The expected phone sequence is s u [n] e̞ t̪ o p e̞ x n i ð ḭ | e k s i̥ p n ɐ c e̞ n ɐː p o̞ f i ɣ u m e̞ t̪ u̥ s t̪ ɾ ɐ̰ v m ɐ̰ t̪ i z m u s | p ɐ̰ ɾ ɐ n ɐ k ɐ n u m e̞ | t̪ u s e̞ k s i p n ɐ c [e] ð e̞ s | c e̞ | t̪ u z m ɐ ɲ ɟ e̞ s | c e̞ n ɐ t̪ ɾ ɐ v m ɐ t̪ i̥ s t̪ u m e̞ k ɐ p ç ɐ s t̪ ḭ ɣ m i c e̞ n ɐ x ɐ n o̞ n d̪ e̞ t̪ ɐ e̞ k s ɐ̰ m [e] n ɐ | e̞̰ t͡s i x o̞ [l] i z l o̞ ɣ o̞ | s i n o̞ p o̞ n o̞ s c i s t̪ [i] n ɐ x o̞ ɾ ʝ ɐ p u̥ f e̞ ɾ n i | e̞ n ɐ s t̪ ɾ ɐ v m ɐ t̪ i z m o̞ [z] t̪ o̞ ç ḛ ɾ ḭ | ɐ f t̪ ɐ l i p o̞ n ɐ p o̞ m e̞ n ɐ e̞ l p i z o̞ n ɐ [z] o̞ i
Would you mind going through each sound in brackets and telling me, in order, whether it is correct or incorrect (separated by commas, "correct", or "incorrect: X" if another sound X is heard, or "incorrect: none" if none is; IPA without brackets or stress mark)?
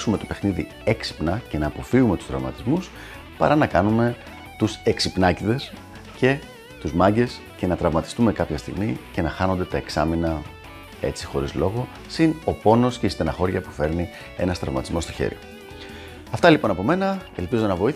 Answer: incorrect: m, incorrect: i, incorrect: i, incorrect: ɾ, incorrect: e, incorrect: s, incorrect: v